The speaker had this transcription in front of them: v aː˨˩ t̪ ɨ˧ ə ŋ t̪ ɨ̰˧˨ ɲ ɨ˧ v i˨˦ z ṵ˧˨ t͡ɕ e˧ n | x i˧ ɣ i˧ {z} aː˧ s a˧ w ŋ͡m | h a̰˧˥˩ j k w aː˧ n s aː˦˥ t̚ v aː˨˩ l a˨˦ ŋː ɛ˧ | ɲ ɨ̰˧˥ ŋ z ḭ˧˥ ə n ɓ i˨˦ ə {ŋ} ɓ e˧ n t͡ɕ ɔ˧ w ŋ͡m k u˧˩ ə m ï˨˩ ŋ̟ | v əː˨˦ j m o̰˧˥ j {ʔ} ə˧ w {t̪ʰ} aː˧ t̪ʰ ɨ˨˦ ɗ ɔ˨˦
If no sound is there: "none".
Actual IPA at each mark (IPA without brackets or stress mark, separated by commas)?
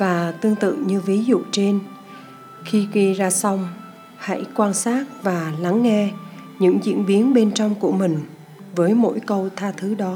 z, n, k, t̪ʰ